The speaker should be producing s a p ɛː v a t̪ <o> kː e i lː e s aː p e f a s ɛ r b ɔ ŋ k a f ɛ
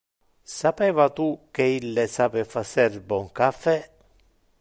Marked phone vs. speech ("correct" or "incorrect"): incorrect